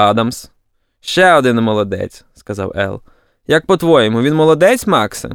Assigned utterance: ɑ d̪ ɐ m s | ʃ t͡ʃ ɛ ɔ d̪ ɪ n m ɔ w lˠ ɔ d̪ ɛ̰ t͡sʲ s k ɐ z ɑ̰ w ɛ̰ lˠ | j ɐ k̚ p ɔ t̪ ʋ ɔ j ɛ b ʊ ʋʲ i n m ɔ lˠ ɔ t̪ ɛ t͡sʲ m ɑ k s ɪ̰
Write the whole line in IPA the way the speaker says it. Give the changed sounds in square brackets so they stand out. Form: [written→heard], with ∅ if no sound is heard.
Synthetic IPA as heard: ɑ d̪ ɐ m s | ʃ t͡ʃ ɛ ɔ d̪ ɪ n m ɔ [w→∅] lˠ ɔ d̪ ɛ̰ t͡sʲ s k ɐ z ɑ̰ w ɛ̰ lˠ | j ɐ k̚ p ɔ t̪ ʋ ɔ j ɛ [b→m] ʊ ʋʲ i n m ɔ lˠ ɔ [t̪→d̪] ɛ t͡sʲ m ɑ k s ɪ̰